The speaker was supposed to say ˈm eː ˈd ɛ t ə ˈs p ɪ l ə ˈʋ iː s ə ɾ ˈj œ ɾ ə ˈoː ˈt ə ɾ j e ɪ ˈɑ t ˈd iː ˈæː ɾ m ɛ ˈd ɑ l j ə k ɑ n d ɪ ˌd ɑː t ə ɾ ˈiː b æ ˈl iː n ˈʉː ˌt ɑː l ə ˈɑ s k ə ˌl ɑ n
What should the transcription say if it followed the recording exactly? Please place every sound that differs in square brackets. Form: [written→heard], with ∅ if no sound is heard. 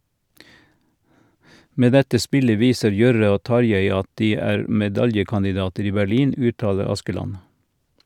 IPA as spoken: ˈm eː ˈd ɛ t ə ˈs p ɪ l ə ˈʋ iː s ə ɾ ˈj œ ɾ ə ˈoː ˈt [ə→ɑ] ɾ j e ɪ ˈɑ t ˈd iː ˈæː ɾ m ɛ ˈd ɑ l j ə k ɑ n d ɪ ˌd ɑː t ə ɾ ˈiː b æ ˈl iː n ˈʉː ˌt ɑː l ə ˈɑ s k ə ˌl ɑ n